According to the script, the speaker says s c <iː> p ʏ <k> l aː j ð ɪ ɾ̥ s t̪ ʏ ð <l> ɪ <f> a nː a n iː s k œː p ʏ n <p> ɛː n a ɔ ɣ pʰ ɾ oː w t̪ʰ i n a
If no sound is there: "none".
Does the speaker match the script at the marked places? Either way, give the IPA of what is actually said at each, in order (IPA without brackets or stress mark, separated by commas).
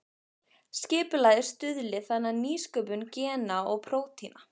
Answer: ɪː, none, l, θ, c